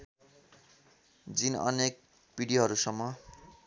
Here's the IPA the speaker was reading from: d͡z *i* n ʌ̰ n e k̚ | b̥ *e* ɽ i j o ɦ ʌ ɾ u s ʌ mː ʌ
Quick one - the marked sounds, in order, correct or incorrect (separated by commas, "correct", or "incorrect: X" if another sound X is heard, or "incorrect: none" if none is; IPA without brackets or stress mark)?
correct, incorrect: i